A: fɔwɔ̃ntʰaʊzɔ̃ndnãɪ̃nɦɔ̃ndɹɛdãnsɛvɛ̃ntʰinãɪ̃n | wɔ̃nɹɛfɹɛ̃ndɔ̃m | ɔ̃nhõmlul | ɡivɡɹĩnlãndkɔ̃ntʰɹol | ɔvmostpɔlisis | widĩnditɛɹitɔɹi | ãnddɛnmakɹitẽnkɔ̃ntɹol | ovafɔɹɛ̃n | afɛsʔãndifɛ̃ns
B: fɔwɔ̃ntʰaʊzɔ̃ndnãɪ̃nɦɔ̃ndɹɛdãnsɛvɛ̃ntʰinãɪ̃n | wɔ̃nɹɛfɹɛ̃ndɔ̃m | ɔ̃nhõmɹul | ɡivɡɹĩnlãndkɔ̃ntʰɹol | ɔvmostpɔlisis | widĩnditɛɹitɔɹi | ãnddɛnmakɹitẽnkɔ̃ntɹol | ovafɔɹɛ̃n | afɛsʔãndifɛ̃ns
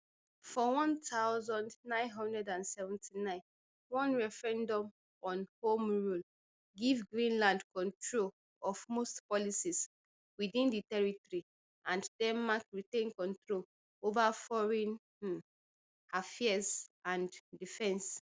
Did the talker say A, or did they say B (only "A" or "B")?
B